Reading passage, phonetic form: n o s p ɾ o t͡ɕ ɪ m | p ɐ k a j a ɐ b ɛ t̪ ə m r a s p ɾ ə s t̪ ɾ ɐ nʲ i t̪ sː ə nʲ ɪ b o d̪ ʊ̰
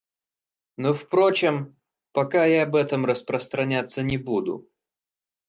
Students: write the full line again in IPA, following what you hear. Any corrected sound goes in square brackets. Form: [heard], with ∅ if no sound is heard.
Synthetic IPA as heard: n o [f] p ɾ o t͡ɕ ɪ m | p ɐ k a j a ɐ b ɛ t̪ ə m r [ə] s p ɾ ə s t̪ ɾ ɐ nʲ [a] t̪ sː ə nʲ ɪ b [u] d̪ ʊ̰